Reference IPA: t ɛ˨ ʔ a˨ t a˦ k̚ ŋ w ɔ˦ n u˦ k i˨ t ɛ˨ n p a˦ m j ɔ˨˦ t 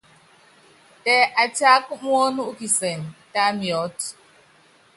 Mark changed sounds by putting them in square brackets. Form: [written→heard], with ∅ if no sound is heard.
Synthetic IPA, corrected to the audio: t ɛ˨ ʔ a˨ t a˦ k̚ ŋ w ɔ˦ n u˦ k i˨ [t→s] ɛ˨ n [p→t] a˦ m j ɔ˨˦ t